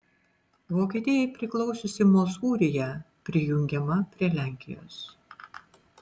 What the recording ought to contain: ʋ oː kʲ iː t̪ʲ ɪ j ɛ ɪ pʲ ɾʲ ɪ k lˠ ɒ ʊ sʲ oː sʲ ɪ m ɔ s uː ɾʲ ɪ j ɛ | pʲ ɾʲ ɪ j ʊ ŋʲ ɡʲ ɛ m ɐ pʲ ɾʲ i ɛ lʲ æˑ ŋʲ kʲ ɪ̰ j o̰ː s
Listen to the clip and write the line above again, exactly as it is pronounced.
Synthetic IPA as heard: ʋ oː kʲ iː t̪ʲ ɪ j ɛ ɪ pʲ ɾʲ ɪ k lˠ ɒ ʊ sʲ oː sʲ ɪ m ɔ s uː ɾʲ ɪ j ɛ | pʲ ɾʲ ɪ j ʊ ŋʲ ɡʲ ɛ m ɐ pʲ ɾʲ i ɛ lʲ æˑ ŋʲ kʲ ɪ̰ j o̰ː s